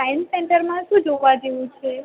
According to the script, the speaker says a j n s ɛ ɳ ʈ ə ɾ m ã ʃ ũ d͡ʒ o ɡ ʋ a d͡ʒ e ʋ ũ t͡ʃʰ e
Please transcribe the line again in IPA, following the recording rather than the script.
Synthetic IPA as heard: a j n s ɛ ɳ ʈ ə ɾ m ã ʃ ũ d͡ʒ o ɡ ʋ a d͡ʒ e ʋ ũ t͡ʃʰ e